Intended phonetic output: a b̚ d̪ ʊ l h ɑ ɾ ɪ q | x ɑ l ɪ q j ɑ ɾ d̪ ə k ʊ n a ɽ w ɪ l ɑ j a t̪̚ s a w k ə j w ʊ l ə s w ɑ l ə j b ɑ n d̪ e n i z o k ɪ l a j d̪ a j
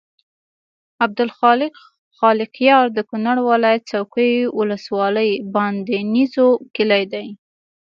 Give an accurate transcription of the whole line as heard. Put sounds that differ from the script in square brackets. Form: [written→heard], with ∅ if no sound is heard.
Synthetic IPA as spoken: a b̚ d̪ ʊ l [h→x] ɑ [ɾ→l] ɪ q | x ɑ l ɪ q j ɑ ɾ d̪ ə k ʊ n a ɽ w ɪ l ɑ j a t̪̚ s a w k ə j w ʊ l ə s w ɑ l ə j b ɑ n d̪ e n i z o k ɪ l a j d̪ a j

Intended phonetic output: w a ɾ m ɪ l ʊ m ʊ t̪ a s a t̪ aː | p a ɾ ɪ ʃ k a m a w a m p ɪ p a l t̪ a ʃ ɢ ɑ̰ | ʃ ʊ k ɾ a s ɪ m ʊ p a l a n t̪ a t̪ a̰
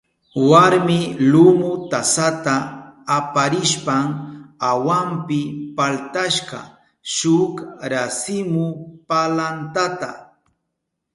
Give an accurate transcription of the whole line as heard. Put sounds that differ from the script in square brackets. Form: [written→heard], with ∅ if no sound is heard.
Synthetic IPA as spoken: w a ɾ m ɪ l ʊ m ʊ t̪ a s a t̪ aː | p a ɾ ɪ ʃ [k→p] a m a w a m p ɪ p a l t̪ a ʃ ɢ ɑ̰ | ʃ ʊ k ɾ a s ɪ m ʊ p a l a n t̪ a t̪ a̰

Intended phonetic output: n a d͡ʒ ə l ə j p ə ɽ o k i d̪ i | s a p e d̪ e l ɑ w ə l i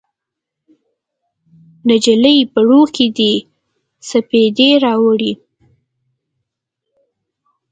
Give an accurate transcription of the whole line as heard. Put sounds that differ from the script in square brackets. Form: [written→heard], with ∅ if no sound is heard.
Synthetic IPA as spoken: n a d͡ʒ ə l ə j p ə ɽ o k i d̪ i | s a p e d̪ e [l→ɾ] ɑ w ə [l→ɽ] i

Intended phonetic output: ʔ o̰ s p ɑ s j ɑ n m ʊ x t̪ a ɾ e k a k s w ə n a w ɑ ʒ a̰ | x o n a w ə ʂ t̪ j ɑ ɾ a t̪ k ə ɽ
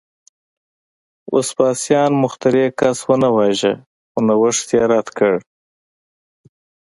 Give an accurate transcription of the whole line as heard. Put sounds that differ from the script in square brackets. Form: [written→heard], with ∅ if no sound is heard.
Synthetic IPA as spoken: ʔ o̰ s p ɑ s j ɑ n m ʊ x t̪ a ɾ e k a [k→∅] s w ə n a w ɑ ʒ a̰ | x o n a w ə ʂ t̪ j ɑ ɾ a t̪ k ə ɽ

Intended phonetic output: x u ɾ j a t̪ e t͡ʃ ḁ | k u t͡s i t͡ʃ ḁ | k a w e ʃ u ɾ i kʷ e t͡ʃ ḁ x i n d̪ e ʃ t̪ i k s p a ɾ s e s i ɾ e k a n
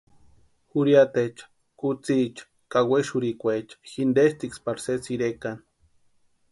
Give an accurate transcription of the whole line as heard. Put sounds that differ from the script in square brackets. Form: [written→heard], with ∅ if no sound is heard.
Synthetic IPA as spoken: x u ɾ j a t̪ e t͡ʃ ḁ | k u t͡s i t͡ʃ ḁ | k a w e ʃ u ɾ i kʷ e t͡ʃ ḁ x i n d̪ e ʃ t̪ i k s p a ɾ s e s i ɾ e k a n

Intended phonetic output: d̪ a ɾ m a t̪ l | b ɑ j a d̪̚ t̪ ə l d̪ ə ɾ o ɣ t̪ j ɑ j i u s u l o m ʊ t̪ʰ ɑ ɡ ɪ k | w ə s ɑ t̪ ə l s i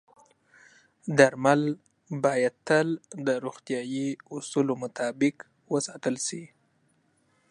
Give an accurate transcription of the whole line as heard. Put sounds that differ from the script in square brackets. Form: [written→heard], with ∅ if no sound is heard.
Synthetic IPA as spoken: d̪ a ɾ m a [t̪→∅] l | b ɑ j a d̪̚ t̪ ə l d̪ ə ɾ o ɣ t̪ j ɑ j i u s u l o m ʊ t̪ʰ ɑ [ɡ→b] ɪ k | w ə s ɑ t̪ ə l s i

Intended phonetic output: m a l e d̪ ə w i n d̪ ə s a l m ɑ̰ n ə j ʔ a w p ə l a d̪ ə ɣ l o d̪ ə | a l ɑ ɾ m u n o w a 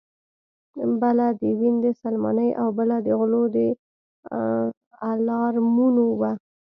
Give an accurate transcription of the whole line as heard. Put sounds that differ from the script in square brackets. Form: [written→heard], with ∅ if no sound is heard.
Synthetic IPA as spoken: [m→b] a l [e→a] d̪ ə w i n d̪ ə s a l m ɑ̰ n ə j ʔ a w [p→b] ə l a d̪ ə ɣ l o d̪ ə | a l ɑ ɾ m u n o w a

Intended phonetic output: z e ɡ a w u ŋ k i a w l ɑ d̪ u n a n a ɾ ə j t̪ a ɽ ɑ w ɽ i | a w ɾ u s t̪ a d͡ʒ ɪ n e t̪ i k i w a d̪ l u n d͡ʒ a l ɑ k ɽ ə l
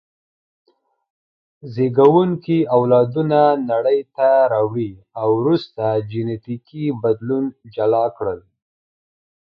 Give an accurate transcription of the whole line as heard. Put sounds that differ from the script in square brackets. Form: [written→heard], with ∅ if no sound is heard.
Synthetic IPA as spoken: z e ɡ a w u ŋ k i a w l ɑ d̪ u n a n a [ɾ→ɽ] ə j t̪ a [ɽ→ɾ] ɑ w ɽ i | a w ɾ u s t̪ a d͡ʒ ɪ n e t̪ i k i [w→b] a d̪ l u n d͡ʒ a l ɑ k ɽ ə l

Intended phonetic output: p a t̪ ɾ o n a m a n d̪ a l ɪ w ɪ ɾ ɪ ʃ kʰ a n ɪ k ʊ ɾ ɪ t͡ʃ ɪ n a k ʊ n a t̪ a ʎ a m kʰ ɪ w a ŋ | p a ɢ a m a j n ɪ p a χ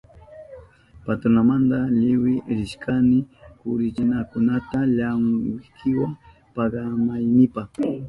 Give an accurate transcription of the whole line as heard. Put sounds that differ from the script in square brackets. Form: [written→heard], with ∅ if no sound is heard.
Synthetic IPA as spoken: p a t̪ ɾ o n a m a n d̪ a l ɪ w ɪ ɾ ɪ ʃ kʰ a n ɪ k ʊ ɾ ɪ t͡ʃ ɪ n a k ʊ n a t̪ a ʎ a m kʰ ɪ w a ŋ | p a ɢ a m a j n ɪ p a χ

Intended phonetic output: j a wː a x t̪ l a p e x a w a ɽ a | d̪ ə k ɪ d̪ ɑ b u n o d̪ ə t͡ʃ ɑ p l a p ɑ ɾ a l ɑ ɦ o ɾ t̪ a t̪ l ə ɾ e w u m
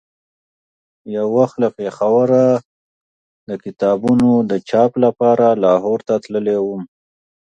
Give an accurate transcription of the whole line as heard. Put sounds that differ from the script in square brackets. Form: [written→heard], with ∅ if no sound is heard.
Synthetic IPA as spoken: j a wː a x t̪ l a p e x a w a [ɽ→ɾ] a | d̪ ə k ɪ [d̪→t̪] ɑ b u n o d̪ ə t͡ʃ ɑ p l a p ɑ ɾ a l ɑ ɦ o ɾ t̪ a t̪ l ə [ɾ→l] e w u m

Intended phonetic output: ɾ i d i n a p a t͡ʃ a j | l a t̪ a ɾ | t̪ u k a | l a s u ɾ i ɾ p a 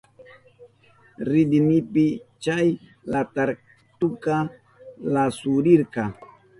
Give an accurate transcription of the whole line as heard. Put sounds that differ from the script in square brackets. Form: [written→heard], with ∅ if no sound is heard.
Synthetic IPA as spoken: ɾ i d i n [a→i] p [a→i] t͡ʃ a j | l a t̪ a ɾ | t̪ u k a | l a s u ɾ i ɾ [p→k] a

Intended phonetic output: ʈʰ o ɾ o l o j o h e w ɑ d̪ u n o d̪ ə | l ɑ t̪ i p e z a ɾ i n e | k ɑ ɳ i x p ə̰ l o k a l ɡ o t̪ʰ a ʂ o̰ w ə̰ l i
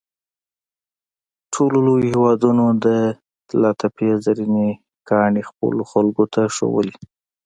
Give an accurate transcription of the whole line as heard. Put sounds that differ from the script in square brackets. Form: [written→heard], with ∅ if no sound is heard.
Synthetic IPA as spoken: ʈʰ o [ɾ→l] o l o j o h e w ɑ d̪ u n o d̪ ə | l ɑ t̪ [i→a] p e z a ɾ i n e | k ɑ ɳ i x p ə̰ l o [k→x] a l ɡ o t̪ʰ a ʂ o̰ w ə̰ l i

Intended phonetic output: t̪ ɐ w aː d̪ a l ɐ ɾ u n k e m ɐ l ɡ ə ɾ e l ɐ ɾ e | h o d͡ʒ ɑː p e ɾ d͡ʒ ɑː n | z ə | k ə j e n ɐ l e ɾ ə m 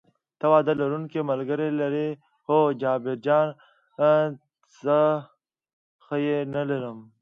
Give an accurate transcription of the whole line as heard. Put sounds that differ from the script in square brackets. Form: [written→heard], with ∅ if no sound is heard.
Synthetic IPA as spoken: t̪ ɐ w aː d̪ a l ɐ ɾ u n k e m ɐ l ɡ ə ɾ e l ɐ ɾ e | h o d͡ʒ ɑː [p→b] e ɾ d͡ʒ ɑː n | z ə | [k→x] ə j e n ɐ l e ɾ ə m

